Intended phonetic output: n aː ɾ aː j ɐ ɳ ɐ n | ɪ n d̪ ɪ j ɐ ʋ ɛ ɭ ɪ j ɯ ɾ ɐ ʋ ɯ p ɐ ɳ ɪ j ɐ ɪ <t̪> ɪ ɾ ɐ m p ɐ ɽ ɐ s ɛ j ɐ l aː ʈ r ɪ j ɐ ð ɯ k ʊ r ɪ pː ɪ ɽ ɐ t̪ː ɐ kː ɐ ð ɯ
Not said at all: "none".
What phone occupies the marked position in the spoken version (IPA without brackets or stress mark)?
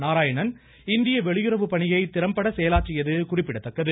t̪